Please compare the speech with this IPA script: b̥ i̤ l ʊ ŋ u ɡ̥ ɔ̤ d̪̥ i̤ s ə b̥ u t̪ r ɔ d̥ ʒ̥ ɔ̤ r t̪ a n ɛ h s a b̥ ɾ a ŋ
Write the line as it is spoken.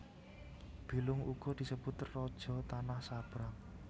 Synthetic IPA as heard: b̥ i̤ l ʊ ŋ u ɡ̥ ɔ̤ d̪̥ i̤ s ə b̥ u t̪ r ɔ d̥ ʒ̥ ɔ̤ t̪ a n a h s a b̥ ɾ a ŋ